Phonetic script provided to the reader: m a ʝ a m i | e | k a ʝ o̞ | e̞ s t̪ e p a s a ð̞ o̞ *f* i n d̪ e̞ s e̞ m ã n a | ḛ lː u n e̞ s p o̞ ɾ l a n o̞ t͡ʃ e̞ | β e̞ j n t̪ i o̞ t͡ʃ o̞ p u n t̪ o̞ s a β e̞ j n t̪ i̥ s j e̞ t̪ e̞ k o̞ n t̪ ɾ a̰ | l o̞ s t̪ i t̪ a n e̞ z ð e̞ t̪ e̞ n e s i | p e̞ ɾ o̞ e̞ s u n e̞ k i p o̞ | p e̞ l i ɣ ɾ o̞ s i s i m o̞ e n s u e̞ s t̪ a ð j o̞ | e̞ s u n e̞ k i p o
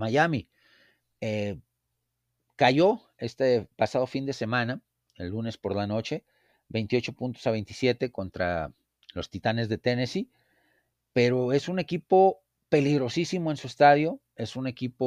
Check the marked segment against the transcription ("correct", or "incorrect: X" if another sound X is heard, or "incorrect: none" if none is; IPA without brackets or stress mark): correct